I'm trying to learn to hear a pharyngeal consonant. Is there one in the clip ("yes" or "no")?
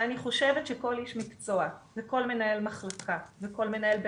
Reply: no